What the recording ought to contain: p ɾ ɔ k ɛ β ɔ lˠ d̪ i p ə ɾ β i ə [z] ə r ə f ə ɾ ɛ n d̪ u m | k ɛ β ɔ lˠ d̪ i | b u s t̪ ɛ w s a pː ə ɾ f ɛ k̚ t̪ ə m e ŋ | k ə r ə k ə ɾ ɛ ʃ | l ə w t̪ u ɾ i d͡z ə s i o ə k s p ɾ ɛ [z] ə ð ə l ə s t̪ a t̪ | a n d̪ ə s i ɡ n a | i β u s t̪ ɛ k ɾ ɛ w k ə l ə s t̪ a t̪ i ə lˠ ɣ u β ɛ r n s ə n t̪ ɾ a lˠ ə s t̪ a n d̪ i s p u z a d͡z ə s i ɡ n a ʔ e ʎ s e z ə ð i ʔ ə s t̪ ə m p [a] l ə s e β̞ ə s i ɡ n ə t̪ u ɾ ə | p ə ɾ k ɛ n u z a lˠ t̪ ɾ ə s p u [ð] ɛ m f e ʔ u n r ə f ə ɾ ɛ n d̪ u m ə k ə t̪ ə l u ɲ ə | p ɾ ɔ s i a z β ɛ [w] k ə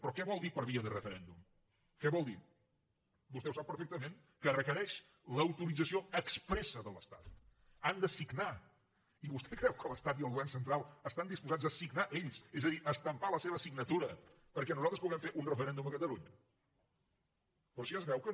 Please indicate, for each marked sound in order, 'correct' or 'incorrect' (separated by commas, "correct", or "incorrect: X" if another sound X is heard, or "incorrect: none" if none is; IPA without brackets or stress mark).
incorrect: ð, incorrect: s, correct, incorrect: ɣ, correct